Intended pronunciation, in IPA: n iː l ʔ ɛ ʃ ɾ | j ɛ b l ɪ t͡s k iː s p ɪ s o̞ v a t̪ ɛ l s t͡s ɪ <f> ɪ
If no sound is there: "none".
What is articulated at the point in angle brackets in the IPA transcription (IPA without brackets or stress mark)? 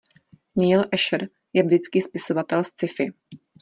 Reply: f